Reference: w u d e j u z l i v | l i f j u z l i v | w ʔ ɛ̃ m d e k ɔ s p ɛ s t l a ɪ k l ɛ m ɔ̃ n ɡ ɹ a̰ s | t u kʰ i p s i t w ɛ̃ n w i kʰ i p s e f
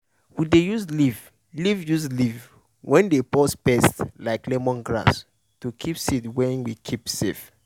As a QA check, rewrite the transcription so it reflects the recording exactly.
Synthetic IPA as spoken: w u d e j u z l i v | l i v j u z l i v | w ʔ ɛ̃ n d e p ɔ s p ɛ s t l a ɪ k l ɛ m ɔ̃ n ɡ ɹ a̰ s | t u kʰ i p s i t w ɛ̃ n w i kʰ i p s e f